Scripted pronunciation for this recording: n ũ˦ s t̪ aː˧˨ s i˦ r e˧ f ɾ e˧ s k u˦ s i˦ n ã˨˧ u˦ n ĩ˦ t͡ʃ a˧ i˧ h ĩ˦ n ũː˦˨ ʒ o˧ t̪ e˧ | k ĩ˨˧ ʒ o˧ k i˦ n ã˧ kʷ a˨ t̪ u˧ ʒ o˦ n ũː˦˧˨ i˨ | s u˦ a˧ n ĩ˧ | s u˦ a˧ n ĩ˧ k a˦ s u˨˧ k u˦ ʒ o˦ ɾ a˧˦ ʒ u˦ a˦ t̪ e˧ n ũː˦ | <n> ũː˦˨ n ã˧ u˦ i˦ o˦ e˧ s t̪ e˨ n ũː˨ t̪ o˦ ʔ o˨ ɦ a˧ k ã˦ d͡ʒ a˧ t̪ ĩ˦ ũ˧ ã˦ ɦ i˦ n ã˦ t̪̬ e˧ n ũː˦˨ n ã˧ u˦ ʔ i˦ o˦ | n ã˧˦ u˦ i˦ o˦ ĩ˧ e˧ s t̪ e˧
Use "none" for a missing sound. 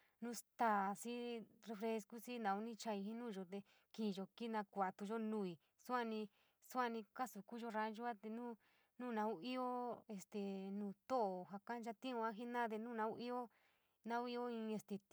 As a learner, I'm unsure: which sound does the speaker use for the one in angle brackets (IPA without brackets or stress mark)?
n